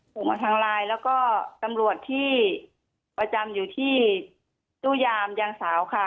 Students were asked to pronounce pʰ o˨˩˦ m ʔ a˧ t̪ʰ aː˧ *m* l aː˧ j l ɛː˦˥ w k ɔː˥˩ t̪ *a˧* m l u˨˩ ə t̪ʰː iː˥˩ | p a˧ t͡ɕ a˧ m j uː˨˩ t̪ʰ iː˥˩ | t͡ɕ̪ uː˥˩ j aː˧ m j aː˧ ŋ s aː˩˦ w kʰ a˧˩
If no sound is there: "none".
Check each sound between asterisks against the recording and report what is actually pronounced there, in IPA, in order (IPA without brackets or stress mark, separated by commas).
ŋ, a˧